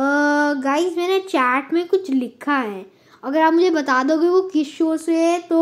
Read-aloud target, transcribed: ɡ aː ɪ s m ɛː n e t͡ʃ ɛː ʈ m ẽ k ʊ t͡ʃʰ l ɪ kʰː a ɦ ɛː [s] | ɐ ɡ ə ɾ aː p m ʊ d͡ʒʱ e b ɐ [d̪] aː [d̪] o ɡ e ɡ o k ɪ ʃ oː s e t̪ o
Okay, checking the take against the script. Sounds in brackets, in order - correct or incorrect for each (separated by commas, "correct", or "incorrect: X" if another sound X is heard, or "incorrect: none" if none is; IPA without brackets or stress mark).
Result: incorrect: none, incorrect: t̪, correct